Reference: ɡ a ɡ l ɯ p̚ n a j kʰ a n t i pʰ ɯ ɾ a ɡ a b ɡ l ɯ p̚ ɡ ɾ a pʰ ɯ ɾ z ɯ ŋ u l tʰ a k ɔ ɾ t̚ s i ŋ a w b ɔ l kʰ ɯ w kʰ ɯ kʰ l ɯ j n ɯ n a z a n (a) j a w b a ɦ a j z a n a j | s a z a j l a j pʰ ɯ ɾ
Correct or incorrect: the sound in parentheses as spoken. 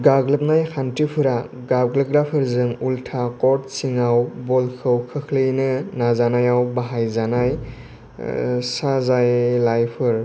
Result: correct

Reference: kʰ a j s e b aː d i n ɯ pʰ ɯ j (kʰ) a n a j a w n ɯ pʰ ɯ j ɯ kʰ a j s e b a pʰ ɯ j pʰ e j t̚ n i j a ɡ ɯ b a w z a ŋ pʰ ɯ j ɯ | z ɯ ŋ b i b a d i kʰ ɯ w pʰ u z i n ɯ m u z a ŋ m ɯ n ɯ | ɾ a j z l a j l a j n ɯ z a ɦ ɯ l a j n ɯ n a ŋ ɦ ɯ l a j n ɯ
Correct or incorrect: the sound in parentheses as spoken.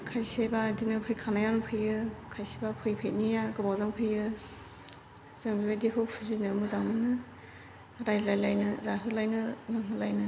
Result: correct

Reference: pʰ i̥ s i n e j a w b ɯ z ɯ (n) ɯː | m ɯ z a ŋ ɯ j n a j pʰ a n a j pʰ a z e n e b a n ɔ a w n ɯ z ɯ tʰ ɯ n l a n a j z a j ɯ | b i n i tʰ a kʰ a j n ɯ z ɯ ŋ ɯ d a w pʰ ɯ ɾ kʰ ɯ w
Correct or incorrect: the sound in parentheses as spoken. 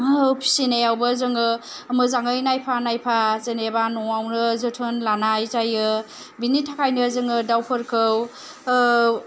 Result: incorrect: ŋ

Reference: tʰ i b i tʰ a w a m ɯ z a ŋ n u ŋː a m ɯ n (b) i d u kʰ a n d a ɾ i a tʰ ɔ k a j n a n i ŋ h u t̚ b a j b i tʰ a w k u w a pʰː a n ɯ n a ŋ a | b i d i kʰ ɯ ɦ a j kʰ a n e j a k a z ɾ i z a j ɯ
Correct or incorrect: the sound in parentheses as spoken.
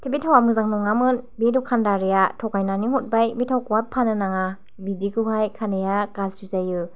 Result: correct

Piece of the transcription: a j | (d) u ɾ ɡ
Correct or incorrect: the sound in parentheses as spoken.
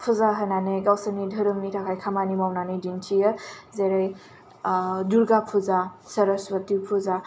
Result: correct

